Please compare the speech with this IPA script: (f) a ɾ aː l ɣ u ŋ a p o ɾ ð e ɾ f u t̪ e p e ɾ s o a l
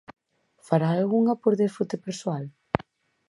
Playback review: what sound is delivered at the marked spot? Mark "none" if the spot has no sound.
f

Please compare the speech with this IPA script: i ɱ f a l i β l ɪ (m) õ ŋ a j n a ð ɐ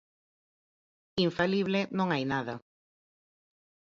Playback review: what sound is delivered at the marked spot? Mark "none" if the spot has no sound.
n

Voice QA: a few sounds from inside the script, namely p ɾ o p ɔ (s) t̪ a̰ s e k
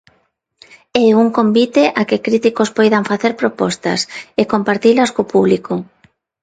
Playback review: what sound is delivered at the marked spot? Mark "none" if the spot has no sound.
s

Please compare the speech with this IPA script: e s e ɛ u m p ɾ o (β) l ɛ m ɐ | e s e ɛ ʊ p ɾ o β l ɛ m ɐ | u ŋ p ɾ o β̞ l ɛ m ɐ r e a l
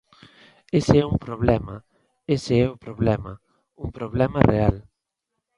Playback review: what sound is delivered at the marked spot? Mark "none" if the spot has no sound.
β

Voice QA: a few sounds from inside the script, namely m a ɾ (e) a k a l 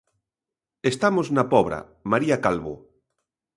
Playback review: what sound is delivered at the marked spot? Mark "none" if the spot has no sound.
i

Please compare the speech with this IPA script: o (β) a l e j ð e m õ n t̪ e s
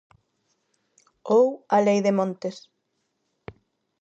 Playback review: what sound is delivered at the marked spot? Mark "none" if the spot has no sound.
w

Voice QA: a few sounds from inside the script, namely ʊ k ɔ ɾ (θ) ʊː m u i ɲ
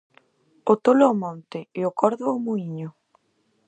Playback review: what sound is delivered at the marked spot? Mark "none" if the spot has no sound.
ð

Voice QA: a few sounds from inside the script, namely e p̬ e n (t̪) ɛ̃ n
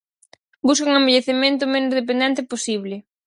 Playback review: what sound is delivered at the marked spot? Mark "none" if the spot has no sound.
d̪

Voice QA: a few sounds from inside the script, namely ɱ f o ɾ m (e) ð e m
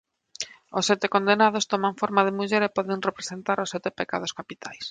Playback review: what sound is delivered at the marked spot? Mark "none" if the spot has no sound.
a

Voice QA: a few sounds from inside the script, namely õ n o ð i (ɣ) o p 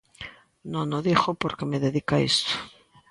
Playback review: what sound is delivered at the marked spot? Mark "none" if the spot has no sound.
x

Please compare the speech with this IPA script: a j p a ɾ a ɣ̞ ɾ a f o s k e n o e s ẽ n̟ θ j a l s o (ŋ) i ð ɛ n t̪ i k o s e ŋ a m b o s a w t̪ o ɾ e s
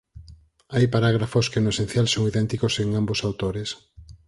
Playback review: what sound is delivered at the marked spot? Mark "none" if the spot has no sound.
ŋ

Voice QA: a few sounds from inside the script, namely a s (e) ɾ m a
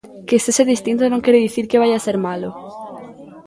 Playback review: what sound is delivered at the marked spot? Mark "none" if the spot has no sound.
e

